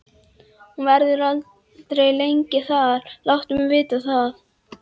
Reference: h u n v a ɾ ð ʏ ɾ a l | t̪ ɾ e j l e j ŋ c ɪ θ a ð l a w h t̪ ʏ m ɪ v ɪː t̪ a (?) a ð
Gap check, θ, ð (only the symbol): θ